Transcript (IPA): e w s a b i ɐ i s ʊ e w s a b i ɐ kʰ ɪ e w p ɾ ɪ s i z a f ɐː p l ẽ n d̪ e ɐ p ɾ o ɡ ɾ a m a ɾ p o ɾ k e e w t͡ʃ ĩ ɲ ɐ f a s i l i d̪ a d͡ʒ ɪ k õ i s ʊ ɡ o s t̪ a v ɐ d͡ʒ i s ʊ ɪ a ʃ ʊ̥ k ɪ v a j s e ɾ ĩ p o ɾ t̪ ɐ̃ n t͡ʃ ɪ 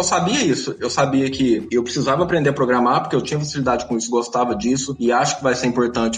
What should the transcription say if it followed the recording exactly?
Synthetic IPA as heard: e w s a b i ɐ i s ʊ e w s a b i ɐ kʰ ɪ e w p ɾ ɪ s i z a v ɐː p ɾ ẽ n d̪ e ɐ p ɾ o ɡ ɾ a m a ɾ p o ɾ k e e w t͡ʃ ĩ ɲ ɐ f a s i l i d̪ a d͡ʒ ɪ k õ i s ʊ ɡ o s t̪ a v ɐ d͡ʒ i s ʊ ɪ a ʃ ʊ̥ k ɪ v a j s e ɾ ĩ p o ɾ t̪ ɐ̃ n t͡ʃ ɪ